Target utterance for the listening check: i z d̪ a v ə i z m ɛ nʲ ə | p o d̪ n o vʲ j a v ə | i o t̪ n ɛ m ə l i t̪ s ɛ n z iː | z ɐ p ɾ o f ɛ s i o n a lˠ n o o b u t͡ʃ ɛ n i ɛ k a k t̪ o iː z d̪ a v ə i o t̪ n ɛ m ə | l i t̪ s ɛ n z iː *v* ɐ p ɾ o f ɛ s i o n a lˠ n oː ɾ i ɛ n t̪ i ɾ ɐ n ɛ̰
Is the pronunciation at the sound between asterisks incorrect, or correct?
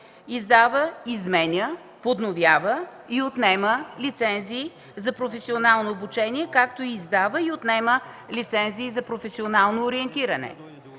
incorrect: z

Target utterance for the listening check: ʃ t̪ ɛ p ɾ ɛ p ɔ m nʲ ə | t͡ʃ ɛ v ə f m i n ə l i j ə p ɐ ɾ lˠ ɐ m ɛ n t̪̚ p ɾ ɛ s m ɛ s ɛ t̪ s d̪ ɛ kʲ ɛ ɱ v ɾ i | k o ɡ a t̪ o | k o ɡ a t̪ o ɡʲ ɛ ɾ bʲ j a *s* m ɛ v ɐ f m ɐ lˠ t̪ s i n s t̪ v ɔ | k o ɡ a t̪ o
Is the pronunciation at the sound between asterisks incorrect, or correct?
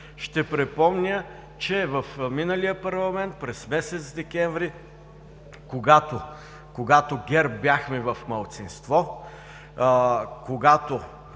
incorrect: x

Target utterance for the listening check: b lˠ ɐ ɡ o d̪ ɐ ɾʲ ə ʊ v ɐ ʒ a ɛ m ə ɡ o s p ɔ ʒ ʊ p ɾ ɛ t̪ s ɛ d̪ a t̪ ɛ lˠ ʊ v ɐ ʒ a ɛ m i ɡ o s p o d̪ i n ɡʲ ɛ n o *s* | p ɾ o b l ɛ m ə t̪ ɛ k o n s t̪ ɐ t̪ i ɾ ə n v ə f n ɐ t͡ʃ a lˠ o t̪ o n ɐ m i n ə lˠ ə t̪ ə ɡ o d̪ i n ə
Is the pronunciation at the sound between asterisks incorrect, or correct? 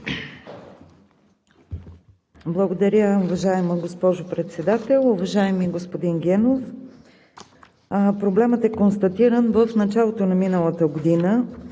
incorrect: f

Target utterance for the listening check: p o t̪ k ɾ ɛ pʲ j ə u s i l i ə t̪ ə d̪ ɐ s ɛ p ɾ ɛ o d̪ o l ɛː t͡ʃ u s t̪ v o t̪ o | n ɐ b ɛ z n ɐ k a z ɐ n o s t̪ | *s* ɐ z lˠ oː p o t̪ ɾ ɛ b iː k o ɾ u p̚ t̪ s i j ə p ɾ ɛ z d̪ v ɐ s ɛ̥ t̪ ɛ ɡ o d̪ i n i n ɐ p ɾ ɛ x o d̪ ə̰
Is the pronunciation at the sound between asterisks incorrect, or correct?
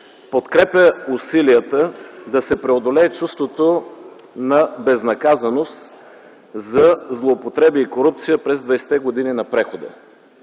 incorrect: z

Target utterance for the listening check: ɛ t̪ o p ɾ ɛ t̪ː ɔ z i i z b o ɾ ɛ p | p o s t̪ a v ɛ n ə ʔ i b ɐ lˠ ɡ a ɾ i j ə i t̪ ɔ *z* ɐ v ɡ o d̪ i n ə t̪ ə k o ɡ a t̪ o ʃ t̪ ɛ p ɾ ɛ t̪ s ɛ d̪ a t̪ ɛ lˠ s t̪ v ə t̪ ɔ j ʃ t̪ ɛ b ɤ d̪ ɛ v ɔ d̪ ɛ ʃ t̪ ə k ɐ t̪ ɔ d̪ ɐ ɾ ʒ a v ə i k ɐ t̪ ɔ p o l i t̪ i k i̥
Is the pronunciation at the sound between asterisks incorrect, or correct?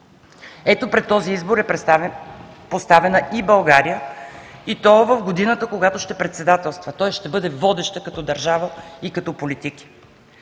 incorrect: v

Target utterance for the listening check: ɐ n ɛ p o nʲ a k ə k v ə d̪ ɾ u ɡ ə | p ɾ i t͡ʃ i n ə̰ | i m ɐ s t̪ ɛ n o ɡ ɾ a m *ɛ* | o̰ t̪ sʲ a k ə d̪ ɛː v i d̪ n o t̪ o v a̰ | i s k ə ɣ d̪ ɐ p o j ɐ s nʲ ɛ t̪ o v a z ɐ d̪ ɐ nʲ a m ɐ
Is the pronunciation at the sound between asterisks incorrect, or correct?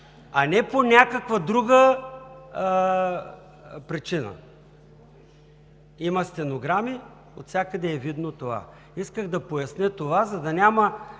incorrect: i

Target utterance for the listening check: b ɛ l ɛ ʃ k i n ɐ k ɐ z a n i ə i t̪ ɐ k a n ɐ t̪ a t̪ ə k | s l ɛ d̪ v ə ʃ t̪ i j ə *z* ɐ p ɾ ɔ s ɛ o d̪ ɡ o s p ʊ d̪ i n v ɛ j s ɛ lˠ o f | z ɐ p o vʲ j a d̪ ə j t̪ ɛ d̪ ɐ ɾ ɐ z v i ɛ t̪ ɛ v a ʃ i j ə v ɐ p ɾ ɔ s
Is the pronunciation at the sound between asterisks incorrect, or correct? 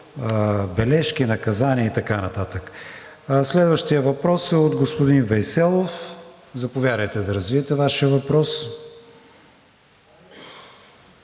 incorrect: v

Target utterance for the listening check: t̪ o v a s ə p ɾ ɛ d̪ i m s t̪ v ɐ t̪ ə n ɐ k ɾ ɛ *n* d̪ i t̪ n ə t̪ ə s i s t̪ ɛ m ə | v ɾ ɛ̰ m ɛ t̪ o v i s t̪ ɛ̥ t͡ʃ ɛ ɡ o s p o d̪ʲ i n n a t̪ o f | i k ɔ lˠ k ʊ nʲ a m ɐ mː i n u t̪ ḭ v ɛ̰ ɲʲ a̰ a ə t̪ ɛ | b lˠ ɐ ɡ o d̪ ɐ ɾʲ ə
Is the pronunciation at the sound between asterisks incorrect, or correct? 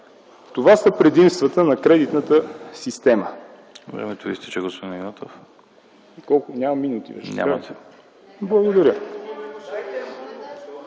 incorrect: none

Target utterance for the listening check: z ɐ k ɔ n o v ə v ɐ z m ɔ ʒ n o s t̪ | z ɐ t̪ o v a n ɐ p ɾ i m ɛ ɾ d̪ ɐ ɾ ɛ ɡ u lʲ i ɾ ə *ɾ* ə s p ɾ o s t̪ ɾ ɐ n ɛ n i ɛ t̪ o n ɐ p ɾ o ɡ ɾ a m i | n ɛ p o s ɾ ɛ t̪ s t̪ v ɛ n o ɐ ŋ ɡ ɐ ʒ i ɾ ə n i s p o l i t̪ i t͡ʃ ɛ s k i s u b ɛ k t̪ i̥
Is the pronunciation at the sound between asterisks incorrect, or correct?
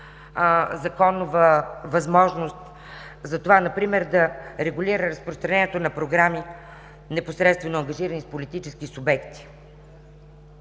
correct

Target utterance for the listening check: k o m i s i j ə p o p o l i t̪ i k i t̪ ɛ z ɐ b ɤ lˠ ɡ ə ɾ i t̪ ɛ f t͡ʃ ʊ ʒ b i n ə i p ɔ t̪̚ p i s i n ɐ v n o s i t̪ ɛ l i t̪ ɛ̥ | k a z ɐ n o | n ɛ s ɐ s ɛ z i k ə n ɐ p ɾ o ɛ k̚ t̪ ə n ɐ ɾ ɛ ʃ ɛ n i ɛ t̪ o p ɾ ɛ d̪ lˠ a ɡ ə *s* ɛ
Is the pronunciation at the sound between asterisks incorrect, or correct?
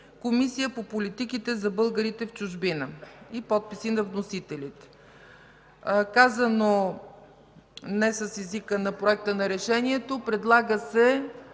correct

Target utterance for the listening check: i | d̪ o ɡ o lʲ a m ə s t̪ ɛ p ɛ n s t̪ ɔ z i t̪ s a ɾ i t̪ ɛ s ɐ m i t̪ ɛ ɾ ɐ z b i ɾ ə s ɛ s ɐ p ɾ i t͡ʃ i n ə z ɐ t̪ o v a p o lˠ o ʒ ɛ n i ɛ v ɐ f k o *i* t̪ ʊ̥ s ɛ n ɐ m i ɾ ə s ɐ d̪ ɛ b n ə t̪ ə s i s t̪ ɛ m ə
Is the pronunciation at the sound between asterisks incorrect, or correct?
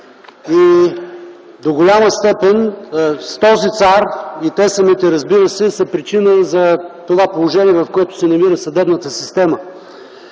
incorrect: ɛ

